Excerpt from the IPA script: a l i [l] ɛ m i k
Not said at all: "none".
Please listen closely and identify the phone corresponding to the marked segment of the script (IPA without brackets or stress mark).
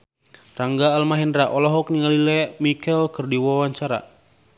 l